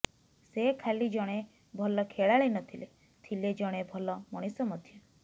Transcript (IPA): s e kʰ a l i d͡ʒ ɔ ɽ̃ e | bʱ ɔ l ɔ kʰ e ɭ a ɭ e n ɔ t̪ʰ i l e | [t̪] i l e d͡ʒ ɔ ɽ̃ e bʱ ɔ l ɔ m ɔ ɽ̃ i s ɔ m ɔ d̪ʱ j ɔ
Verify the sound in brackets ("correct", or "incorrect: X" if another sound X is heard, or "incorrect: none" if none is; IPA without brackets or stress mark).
incorrect: t̪ʰ